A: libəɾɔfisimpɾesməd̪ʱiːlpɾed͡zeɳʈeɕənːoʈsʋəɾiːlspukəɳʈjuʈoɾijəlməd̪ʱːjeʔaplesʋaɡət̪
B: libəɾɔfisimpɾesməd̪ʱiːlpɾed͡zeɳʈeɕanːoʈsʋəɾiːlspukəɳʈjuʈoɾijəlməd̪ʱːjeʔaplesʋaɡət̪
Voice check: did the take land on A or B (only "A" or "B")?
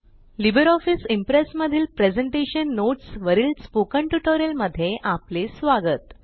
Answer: A